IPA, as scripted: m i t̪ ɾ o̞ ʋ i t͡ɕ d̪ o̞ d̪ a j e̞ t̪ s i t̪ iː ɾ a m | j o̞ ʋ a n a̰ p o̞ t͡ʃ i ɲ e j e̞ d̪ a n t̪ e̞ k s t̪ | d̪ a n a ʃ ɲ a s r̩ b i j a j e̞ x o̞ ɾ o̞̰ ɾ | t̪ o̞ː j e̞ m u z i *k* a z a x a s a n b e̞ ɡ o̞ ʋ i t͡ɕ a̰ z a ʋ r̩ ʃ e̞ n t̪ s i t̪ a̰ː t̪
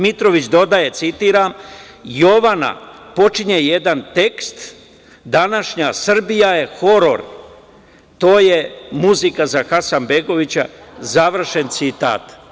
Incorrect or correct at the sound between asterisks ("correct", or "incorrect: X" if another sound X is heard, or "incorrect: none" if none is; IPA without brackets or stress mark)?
correct